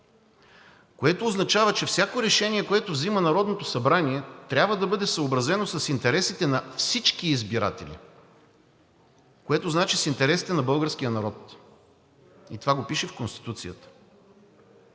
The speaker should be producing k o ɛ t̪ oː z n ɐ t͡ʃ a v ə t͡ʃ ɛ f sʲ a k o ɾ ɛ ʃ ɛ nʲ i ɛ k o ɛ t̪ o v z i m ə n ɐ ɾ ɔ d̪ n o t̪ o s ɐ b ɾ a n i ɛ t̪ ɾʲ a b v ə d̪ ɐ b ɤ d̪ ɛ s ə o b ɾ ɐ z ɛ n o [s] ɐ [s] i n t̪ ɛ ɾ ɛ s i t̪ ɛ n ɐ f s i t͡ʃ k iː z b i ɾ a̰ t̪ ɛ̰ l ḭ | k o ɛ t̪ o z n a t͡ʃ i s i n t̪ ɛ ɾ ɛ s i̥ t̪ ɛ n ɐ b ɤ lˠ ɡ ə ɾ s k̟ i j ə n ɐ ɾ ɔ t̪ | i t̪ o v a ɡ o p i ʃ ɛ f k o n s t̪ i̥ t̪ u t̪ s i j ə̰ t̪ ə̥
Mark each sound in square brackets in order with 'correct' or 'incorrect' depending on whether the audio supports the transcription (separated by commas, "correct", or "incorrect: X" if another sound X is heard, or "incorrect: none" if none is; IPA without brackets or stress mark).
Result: correct, correct